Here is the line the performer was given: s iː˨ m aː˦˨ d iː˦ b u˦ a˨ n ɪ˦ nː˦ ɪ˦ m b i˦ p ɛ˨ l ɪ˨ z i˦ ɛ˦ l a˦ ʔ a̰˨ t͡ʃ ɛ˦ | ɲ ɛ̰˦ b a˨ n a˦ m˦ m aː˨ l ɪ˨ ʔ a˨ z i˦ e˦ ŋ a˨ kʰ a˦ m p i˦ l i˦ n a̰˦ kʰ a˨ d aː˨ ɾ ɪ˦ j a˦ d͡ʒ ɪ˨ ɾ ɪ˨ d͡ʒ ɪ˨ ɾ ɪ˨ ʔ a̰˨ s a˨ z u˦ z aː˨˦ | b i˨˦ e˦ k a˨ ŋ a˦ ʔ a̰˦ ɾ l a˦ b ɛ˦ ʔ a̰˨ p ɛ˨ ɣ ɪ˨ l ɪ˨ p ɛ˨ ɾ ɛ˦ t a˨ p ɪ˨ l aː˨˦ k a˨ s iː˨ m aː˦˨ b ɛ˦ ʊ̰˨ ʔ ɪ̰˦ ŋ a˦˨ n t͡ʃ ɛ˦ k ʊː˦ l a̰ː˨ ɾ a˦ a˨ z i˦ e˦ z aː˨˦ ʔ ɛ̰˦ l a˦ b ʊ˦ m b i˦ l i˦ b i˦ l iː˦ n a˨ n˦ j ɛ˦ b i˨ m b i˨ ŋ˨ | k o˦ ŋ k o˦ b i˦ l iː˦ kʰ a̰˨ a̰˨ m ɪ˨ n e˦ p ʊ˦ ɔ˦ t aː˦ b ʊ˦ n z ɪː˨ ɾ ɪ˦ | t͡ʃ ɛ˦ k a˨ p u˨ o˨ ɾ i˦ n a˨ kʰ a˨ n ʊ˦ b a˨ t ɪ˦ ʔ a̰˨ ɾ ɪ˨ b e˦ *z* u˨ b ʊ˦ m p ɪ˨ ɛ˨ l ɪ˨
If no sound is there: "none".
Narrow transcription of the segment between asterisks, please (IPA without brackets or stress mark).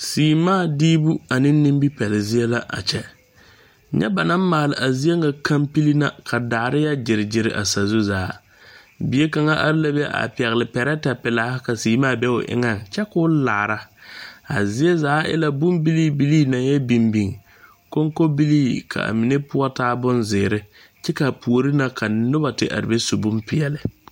s